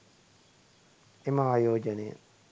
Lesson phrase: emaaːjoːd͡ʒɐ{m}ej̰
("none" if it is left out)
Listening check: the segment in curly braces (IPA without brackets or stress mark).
n